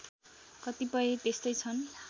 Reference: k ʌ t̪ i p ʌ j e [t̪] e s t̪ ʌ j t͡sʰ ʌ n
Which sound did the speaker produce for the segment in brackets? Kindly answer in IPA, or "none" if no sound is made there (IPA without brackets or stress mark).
t̪